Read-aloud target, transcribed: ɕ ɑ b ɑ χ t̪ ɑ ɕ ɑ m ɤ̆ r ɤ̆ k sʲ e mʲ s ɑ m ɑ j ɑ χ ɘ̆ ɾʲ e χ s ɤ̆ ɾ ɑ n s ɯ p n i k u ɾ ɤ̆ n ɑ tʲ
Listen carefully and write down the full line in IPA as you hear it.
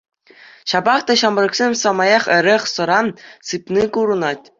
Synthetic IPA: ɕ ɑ b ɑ χ t̪ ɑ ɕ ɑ m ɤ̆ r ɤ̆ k sʲ e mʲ s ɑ m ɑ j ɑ χ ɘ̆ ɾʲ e χ s ɤ̆ ɾ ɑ n s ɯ p n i k u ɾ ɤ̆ n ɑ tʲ